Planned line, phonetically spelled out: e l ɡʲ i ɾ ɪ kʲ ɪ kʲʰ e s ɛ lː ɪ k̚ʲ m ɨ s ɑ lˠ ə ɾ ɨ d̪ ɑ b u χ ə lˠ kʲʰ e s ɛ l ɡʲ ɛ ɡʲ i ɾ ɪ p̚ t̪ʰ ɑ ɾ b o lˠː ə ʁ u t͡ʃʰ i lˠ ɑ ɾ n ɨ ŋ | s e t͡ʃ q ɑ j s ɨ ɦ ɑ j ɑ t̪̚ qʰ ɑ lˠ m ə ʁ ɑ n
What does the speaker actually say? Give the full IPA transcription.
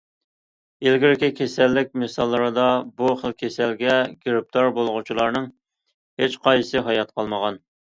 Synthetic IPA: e l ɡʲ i ɾ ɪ kʲ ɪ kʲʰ e s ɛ lː ɪ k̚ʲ m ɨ s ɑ lˠː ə ɾ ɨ d̪ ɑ b u χ ə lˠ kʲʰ e s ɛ l ɡʲ ɛ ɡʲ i ɾ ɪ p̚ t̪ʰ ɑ ɾ b o lˠ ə ʁ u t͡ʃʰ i lˠ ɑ ɾ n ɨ ŋ | h e t͡ʃ q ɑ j s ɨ ɦ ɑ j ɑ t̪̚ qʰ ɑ lˠ m ə ʁ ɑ n